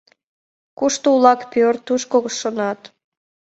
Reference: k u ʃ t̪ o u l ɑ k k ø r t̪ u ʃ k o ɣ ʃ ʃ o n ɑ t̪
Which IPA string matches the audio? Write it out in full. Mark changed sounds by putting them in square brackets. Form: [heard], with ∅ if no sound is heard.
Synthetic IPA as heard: k u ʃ t̪ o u l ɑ k [p] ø r t̪ u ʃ k o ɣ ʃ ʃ o n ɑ t̪